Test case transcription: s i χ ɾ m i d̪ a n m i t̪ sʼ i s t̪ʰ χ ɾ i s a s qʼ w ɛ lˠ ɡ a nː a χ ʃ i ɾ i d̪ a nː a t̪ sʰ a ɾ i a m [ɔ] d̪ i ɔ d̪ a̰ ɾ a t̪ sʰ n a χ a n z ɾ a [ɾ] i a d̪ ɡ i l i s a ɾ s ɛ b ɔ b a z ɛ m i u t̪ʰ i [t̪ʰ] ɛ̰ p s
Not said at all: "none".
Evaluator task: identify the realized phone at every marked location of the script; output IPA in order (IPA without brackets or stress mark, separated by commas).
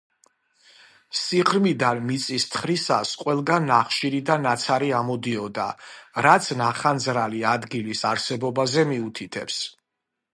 ɔ, l, t̪ʰ